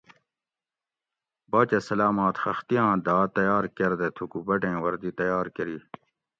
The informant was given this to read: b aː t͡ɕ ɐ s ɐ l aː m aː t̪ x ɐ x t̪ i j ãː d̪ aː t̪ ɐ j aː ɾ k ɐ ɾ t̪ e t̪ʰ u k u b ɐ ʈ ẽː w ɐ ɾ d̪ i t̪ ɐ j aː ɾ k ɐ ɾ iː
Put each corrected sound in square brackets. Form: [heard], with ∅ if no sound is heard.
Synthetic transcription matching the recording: b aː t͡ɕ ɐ s ɐ l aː m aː t̪ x ɐ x t̪ i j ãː d̪ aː t̪ ɐ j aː ɾ k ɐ ɾ [d̪] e t̪ʰ u k u b ɐ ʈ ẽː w ɐ ɾ d̪ i t̪ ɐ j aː ɾ k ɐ ɾ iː